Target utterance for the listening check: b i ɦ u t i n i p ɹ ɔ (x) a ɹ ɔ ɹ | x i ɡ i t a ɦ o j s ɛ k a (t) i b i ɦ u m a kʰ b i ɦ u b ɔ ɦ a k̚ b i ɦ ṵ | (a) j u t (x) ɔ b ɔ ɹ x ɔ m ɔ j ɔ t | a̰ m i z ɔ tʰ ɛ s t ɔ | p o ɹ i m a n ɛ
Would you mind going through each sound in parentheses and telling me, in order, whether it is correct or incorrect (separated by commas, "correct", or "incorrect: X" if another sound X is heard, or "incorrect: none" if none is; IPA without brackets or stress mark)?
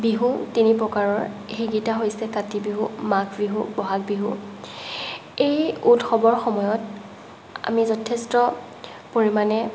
incorrect: k, correct, incorrect: e, correct